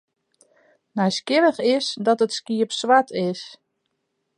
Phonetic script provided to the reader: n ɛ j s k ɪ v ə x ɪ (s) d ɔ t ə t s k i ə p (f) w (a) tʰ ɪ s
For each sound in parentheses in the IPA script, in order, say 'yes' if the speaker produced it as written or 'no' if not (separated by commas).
yes, no, yes